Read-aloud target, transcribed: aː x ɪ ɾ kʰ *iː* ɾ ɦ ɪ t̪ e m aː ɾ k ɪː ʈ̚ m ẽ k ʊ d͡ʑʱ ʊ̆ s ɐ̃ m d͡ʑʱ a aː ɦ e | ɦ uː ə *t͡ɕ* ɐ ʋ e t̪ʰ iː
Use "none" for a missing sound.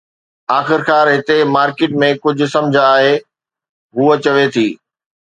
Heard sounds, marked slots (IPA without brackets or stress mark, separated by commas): aː, t͡ɕ